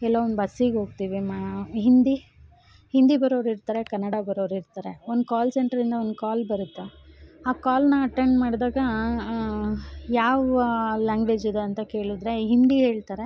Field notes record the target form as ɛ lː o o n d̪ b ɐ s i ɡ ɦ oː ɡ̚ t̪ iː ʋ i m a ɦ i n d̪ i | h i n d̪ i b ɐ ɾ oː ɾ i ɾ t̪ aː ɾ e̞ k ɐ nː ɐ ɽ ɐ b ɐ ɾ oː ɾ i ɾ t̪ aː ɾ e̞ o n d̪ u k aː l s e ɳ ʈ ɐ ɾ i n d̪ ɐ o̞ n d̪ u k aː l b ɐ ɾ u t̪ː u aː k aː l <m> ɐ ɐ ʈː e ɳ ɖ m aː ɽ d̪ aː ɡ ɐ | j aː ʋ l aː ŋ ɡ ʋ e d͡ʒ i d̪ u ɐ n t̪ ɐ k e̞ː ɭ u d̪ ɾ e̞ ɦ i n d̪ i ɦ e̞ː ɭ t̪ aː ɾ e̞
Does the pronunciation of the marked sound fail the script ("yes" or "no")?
yes